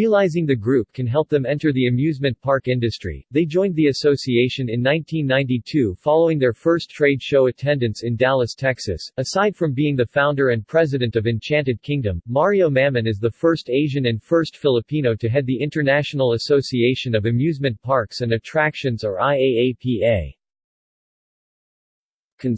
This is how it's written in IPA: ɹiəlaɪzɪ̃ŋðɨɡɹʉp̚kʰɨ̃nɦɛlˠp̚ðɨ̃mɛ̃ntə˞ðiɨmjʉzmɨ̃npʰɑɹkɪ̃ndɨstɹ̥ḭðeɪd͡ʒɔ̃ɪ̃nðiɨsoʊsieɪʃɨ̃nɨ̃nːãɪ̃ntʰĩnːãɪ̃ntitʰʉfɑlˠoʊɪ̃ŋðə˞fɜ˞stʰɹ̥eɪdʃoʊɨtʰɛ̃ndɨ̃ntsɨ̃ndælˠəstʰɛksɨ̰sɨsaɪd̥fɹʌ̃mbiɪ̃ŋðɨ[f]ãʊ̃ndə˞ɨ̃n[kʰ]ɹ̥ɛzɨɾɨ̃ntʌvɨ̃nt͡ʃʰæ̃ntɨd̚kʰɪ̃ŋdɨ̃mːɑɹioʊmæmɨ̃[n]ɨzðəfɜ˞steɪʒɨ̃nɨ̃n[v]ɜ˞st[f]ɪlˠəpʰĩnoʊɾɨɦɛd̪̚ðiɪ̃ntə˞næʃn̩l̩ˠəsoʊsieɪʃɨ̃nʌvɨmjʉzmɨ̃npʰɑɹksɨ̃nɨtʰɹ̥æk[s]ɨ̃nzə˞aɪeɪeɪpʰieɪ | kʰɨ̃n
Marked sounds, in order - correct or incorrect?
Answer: correct, incorrect: pʰ, correct, incorrect: f, correct, incorrect: ʃ

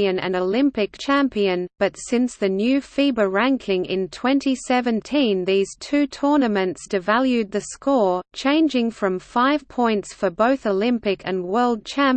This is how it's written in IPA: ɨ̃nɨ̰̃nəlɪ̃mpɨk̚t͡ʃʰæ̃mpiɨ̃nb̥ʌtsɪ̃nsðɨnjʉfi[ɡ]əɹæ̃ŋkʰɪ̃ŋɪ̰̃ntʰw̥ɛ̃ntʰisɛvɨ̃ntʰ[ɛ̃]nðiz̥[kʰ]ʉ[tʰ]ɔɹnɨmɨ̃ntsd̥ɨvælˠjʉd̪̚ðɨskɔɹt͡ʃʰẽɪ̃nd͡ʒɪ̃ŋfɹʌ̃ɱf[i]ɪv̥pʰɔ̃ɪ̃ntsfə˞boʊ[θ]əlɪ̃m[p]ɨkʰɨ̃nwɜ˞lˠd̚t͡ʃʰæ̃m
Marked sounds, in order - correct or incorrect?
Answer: incorrect: b, incorrect: ĩ, incorrect: tʰ, correct, incorrect: a, correct, correct

